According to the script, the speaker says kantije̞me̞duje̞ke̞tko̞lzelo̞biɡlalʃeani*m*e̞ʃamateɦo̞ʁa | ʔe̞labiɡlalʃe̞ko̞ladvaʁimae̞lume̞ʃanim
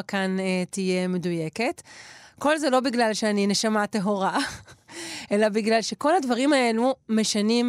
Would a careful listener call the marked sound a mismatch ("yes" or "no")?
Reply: yes